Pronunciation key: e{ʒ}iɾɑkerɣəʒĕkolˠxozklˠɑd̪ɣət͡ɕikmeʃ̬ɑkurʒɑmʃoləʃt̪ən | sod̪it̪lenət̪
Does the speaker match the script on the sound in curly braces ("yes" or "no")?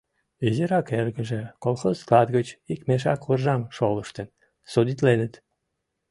no